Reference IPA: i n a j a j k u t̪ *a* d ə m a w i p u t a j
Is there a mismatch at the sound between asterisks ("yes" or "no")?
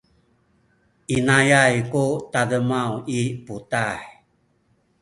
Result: no